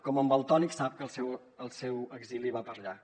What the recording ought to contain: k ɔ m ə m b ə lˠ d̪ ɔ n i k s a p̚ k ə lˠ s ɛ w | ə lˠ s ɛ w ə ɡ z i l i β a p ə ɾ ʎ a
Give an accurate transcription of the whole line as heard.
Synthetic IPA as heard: k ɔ m ə m b ə lˠ t̪ ɔ n i k s a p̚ k ə lˠ s ɛ w | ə lˠ s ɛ w ə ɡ z i l i β a p ə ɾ ʎ a